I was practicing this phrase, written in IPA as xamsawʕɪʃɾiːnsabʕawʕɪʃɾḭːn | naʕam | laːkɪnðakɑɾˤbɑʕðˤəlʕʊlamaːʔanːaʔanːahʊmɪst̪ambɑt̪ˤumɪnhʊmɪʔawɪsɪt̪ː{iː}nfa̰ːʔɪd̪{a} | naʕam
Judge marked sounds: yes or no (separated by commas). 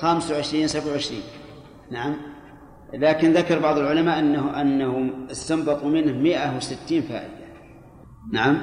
yes, yes